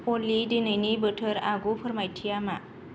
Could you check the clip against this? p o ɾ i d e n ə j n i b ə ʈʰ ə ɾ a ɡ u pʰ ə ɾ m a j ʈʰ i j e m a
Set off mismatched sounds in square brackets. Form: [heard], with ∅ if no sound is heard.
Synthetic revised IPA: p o [l] i d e n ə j n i b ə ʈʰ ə ɾ a ɡ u pʰ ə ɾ m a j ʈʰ i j [a] m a

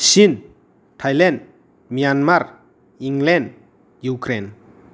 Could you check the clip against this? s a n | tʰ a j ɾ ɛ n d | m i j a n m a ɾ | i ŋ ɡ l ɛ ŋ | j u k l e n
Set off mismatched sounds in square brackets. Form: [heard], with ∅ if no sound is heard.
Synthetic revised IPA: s [i] n | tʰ a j [l] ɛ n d | m i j a n m a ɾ | i ŋ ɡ l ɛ [n] | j u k [ɾ] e n

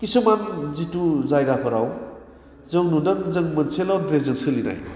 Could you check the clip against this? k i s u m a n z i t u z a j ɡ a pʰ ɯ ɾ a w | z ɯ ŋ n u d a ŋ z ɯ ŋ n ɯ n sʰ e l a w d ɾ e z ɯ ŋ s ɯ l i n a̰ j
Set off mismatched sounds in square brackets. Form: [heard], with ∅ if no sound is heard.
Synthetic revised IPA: k i s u m a n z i t u z a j ɡ a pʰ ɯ ɾ a w | z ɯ ŋ n u d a ŋ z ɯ ŋ [m] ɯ n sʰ e l a w d ɾ e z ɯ ŋ s ɯ l i n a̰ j

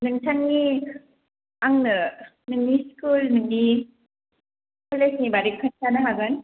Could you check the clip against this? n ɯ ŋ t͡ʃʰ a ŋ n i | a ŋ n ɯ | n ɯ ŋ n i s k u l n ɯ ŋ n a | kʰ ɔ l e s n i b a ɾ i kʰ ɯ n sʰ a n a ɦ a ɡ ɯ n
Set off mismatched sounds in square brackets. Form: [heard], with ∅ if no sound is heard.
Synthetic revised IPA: n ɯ ŋ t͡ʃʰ a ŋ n i | a ŋ n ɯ | n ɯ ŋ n i s k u l n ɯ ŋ n [i] | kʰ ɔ l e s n i b a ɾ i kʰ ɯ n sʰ a n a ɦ a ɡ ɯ n

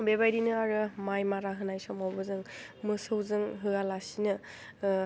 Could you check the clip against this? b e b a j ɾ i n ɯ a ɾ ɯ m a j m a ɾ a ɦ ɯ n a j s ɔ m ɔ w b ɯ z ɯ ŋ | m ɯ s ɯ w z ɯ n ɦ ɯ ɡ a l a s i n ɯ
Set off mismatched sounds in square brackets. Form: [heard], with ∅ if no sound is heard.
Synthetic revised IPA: b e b a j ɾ i n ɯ a ɾ ɯ m a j m a ɾ a ɦ ɯ n a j s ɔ m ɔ w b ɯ z ɯ ŋ | m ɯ s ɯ w z ɯ [ŋ] ɦ ɯ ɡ a l a s i n ɯ

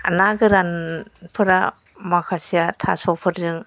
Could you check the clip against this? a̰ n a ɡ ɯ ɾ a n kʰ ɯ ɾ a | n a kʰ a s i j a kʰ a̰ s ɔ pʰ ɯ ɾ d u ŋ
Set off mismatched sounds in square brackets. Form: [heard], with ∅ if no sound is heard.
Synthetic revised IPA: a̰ n a ɡ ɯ ɾ a n [pʰ] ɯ ɾ a | [m] a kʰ a s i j a [tʰ] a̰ s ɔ pʰ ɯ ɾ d [ɯ] ŋ

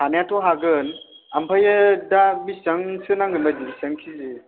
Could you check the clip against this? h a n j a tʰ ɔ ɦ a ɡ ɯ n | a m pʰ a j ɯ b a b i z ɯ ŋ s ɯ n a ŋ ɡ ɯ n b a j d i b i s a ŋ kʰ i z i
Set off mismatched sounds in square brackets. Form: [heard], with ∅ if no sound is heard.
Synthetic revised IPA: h a n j a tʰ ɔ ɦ a ɡ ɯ n | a m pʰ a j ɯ [d] a b i [s] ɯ ŋ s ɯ n a ŋ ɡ ɯ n b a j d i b i s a ŋ kʰ i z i

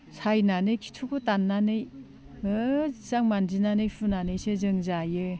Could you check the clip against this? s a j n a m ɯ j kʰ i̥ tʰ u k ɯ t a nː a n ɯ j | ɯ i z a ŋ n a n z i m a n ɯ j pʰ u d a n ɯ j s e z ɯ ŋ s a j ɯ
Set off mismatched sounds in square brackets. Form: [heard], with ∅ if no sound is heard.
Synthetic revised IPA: s a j n a [n] ɯ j kʰ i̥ tʰ u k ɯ t a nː a n ɯ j | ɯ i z a ŋ [m] a n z i [n] a n ɯ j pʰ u [n] a n ɯ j s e z ɯ ŋ [z] a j ɯ

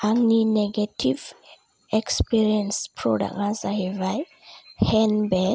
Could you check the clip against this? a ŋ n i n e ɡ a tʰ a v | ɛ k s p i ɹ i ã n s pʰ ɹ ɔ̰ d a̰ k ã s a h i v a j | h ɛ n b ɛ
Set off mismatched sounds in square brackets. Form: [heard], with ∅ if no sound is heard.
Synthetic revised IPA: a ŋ n i n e ɡ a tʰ [i] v | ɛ k s p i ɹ i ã n s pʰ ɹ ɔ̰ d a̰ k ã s a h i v a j | h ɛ n b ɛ

